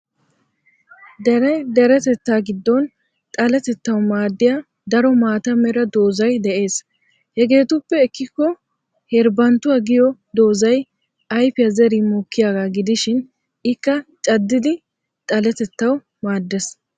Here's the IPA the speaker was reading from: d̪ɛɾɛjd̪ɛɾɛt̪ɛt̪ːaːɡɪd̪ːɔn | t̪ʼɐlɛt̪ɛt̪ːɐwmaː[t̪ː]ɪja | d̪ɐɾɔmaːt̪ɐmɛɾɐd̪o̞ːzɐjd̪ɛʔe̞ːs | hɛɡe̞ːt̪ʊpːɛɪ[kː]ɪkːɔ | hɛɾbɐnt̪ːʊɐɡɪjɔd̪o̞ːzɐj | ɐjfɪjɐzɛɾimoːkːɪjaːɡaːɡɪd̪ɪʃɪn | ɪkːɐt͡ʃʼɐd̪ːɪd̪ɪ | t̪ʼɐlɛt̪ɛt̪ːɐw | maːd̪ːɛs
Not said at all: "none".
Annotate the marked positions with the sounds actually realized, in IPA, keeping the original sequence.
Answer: d̪ː, kː

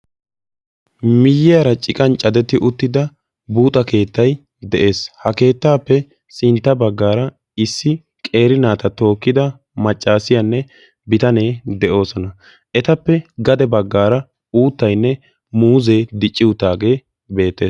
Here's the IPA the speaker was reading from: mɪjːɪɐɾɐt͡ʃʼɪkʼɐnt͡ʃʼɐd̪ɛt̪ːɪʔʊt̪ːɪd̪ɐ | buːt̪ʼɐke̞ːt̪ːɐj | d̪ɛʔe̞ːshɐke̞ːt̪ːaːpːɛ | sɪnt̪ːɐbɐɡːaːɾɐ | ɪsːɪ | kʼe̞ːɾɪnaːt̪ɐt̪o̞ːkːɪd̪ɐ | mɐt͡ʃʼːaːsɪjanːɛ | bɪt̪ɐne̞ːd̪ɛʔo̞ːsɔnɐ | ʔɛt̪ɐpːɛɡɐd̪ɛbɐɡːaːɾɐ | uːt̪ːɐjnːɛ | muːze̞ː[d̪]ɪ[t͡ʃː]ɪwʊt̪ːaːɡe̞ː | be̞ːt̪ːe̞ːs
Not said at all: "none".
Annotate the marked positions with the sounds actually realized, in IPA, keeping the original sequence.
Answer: d̪, t͡ʃʼː

